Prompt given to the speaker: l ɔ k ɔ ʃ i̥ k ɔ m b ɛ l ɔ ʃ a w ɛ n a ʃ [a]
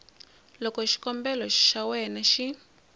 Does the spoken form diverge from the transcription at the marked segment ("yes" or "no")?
yes